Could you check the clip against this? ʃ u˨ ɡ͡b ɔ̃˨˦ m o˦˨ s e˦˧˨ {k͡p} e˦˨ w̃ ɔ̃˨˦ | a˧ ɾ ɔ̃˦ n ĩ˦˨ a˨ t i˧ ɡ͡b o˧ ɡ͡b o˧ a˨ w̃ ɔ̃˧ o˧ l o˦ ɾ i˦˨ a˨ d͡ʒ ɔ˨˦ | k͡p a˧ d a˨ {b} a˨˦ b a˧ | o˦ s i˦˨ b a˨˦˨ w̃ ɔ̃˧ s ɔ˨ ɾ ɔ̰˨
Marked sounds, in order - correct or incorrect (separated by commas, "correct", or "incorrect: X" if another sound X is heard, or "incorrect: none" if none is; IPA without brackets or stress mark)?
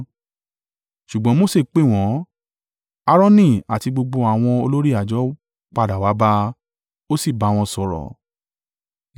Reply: correct, incorrect: w